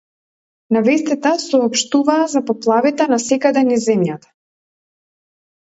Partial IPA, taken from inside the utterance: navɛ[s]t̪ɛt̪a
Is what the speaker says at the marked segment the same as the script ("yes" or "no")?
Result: yes